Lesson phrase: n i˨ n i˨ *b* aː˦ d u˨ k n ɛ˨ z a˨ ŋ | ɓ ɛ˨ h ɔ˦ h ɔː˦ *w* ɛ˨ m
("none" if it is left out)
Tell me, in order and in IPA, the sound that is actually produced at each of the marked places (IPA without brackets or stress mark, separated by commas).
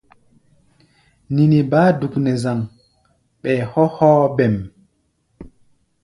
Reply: b, b